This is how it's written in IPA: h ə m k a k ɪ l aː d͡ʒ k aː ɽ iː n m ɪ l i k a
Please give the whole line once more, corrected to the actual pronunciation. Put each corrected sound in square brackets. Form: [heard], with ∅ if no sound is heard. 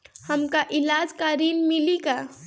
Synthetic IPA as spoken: h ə m k a [ʔ] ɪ l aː d͡ʒ k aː [ɾ] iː n m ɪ l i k a